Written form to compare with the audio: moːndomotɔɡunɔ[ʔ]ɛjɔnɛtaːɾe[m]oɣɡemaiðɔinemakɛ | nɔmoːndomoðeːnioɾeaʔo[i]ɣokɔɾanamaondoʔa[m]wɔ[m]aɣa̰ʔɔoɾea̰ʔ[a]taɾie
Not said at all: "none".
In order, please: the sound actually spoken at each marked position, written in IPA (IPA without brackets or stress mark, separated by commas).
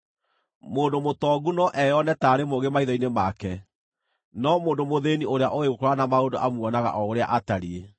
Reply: ʔ, m, e, m, n, a